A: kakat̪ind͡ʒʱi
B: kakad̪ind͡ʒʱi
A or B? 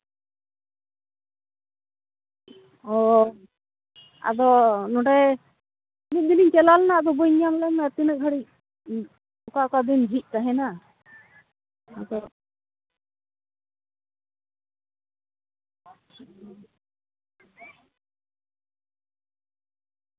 B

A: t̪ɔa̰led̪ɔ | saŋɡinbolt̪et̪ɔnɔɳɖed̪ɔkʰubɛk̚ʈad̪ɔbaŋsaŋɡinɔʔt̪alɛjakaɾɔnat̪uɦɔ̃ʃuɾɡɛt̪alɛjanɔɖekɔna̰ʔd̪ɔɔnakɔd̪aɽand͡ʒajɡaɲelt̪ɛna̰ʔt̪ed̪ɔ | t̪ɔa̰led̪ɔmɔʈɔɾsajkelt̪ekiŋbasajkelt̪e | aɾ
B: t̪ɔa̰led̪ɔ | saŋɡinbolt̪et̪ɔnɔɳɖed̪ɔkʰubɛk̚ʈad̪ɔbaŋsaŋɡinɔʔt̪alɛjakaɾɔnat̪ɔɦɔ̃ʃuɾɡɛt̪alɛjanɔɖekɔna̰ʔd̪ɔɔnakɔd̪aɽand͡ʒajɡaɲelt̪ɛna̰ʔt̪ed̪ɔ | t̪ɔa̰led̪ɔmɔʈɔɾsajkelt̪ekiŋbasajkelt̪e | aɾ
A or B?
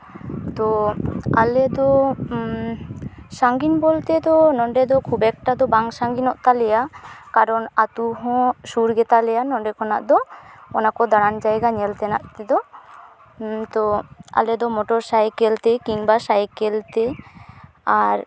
A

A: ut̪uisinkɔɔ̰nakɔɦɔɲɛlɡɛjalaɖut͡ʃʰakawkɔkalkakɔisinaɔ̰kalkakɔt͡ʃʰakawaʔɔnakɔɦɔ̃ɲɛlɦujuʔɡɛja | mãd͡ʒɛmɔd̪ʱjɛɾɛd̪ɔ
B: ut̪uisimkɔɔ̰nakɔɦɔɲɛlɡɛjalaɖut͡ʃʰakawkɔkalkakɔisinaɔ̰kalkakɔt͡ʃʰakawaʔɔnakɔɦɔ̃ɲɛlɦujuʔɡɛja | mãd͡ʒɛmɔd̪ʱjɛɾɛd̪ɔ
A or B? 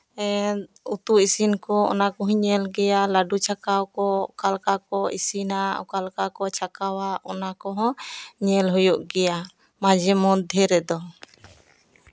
A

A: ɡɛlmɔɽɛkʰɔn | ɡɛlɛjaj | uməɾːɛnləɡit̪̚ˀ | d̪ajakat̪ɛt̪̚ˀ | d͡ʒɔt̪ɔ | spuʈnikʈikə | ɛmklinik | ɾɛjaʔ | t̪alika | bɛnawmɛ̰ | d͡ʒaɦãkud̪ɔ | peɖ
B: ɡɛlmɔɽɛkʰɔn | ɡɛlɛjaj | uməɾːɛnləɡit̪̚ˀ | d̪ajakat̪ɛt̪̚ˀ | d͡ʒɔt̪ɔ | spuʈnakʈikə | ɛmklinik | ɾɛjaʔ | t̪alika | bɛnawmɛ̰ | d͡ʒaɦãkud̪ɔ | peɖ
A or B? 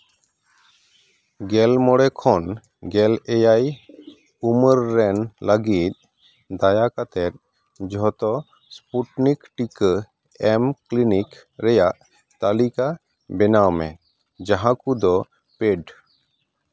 A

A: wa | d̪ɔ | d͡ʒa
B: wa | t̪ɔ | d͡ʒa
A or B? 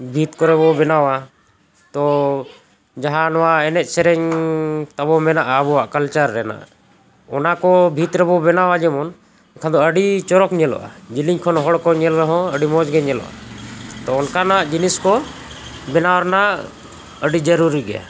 B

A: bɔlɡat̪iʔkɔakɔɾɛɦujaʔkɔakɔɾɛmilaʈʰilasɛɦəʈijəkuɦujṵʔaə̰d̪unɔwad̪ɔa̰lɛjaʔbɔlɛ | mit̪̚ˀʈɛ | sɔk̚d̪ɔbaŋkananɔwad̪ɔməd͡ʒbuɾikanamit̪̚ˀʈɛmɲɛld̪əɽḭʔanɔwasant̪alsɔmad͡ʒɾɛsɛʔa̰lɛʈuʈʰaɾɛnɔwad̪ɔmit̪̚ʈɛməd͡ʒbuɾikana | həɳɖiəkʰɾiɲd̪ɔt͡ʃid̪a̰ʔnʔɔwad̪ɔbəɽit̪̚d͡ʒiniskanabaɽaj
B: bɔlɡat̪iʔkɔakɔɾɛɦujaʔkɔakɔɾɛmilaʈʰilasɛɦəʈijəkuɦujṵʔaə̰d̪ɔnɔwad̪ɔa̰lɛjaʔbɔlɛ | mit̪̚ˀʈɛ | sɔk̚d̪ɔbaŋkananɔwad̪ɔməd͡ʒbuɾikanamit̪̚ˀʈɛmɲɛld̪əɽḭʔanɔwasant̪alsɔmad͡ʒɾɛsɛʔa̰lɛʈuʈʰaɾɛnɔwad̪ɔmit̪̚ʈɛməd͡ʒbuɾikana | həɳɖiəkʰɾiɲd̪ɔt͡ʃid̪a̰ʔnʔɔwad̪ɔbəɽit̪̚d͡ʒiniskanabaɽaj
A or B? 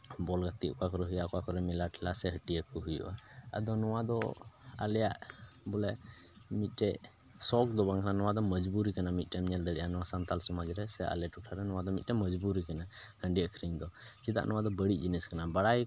B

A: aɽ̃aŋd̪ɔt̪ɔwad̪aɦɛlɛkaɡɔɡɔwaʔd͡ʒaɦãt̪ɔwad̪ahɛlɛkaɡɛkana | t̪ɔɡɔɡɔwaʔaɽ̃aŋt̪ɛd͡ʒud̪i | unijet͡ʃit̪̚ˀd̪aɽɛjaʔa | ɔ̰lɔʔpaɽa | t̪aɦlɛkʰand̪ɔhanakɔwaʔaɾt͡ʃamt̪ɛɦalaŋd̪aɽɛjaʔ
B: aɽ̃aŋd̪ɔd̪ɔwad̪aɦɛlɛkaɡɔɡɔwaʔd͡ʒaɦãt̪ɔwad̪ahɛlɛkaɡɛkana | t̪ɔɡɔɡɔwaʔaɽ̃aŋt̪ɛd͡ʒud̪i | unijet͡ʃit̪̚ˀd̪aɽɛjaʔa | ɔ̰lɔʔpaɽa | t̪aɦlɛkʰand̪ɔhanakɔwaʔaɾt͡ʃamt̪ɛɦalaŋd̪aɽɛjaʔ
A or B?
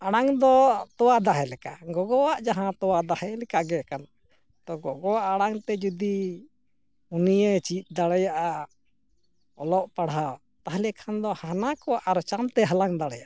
A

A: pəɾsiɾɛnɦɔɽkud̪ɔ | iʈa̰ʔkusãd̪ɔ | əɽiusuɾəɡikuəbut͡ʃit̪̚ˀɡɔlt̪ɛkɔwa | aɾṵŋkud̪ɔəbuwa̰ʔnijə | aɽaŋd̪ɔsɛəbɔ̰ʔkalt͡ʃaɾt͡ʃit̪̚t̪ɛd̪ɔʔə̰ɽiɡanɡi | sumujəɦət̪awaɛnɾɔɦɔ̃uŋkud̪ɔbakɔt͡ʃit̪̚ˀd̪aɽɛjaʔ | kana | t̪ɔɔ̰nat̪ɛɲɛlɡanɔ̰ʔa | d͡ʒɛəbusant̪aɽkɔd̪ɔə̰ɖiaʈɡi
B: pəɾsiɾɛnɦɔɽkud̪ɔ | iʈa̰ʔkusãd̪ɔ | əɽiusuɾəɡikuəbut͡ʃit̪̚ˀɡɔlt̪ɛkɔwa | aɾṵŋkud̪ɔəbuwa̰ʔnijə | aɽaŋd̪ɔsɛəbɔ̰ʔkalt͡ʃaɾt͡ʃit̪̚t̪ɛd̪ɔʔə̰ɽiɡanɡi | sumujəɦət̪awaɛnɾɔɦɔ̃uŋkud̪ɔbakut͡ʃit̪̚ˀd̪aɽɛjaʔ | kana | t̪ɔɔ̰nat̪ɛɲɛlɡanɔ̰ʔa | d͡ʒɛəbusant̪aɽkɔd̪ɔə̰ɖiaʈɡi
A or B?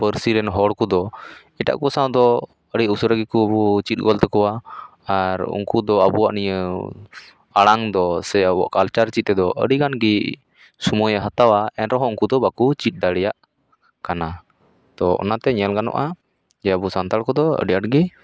B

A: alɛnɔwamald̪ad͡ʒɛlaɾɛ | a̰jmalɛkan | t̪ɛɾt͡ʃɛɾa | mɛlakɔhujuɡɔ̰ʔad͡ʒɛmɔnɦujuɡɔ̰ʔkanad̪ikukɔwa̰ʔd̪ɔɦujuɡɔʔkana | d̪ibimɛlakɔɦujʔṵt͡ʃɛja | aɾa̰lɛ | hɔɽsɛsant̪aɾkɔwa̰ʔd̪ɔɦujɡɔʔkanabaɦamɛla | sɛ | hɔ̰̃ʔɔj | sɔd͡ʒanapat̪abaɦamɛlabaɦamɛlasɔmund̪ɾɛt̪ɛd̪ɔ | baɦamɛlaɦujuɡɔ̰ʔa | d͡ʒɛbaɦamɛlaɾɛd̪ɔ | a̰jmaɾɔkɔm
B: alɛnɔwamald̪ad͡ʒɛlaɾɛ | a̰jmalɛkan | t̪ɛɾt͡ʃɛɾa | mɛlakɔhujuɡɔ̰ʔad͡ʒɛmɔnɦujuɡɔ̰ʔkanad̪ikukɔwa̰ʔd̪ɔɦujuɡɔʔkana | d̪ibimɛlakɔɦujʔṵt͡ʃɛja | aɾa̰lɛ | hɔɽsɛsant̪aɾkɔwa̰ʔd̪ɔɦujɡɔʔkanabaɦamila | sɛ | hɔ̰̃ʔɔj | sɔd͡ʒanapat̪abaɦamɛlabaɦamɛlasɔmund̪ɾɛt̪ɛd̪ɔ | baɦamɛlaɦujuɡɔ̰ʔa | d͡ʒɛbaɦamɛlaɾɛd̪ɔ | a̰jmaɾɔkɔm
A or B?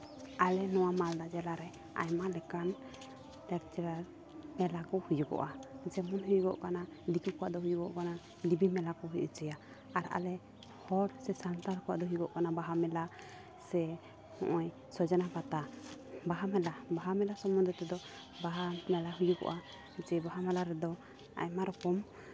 A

